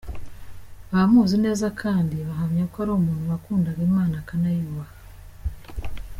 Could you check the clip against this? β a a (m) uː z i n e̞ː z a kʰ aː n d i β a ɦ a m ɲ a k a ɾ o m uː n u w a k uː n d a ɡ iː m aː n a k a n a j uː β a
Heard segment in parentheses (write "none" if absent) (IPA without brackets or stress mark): m